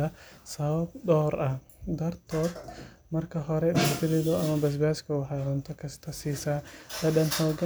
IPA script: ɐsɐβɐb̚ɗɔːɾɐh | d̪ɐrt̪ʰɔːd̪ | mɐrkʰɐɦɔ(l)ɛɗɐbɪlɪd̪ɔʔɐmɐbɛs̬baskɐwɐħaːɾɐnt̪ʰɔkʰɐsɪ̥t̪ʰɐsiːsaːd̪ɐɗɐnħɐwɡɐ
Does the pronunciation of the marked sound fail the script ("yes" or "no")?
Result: yes